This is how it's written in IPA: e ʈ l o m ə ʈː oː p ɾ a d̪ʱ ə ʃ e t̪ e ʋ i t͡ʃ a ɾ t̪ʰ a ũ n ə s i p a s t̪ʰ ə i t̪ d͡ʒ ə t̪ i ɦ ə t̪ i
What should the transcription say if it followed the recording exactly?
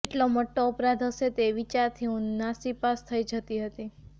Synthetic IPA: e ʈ l o m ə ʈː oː p ɾ a d̪ʱ ə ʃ e t̪ e ʋ i t͡ʃ a ɾ t̪ʰ i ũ n a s i p a s t̪ʰ ə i d͡ʒ ə t̪ i ɦ ə t̪ i